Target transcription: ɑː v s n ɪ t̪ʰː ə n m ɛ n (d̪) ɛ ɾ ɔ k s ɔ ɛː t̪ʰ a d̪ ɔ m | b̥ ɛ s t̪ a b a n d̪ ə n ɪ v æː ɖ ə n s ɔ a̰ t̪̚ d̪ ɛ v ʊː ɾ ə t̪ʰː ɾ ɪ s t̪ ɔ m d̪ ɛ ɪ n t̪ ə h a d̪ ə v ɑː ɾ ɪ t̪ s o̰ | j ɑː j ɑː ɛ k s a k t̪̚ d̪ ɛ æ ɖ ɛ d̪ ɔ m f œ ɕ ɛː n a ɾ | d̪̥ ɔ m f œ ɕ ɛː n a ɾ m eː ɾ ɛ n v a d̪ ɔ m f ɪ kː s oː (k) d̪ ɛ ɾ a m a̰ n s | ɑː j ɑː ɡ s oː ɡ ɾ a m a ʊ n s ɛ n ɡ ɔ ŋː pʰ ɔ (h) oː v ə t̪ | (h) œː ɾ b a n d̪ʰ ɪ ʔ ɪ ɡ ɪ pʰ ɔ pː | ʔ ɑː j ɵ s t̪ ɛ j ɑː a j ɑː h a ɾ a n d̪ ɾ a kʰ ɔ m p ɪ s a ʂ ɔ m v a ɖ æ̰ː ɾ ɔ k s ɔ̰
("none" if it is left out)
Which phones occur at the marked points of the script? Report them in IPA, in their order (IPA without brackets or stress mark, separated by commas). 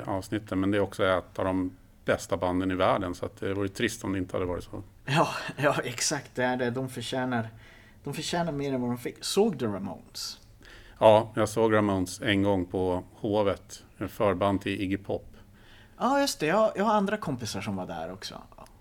d̪, ɡ, h, f